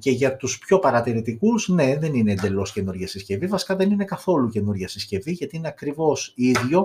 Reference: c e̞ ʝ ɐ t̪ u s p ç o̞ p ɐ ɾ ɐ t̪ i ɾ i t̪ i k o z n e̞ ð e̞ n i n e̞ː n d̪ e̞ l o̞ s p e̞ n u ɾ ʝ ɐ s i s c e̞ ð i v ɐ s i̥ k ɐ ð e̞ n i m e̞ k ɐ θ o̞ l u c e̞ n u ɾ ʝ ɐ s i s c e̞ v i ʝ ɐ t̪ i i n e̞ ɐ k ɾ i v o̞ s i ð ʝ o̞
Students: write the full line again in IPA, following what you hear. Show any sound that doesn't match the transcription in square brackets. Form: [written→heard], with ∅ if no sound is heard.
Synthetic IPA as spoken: c e̞ ʝ ɐ t̪ u s p ç o̞ p ɐ ɾ ɐ t̪ i ɾ i t̪ i k [o→u] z n e̞ ð e̞ n i n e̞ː n d̪ e̞ l o̞ s [p→c] e̞ n u ɾ ʝ ɐ s i s c e̞ [ð→v] i v ɐ s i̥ k ɐ ð e̞ n i [m→n] e̞ k ɐ θ o̞ l u c e̞ n u ɾ ʝ ɐ s i s c e̞ v i ʝ ɐ t̪ i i n e̞ ɐ k ɾ i v o̞ s i ð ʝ o̞